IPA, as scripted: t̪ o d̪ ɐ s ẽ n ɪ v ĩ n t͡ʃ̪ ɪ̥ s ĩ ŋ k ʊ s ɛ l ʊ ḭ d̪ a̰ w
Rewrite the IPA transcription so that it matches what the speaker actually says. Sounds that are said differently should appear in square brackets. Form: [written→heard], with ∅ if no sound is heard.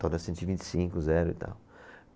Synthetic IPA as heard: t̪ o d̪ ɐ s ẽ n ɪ v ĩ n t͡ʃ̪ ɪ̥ s ĩ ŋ k ʊ [s→z] ɛ [l→ɾ] ʊ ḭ [d̪→t̪] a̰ w